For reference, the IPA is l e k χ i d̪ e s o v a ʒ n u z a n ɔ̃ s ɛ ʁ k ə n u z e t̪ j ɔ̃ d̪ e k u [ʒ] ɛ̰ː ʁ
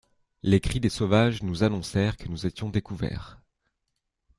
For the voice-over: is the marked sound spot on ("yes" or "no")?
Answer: no